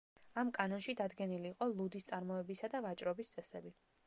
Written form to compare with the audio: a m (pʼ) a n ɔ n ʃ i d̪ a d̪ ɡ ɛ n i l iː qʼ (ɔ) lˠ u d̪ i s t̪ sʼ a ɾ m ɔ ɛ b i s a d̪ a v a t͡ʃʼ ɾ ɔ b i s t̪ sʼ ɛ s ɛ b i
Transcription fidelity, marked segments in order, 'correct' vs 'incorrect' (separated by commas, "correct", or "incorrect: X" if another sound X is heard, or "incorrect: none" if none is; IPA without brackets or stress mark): incorrect: kʼ, correct